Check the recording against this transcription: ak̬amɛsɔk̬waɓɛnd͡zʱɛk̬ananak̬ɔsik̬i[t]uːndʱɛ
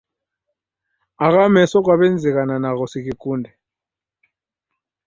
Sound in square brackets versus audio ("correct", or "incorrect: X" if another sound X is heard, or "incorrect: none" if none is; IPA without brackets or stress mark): incorrect: k